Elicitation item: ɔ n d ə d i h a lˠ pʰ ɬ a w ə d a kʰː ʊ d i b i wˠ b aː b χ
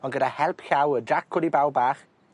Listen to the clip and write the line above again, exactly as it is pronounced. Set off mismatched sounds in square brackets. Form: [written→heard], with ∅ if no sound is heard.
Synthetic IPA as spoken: ɔ n [d→ɡ] ə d [i→a] h [a→ɛ] lˠ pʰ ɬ a w ə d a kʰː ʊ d i b [i→a] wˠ b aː [b→∅] χ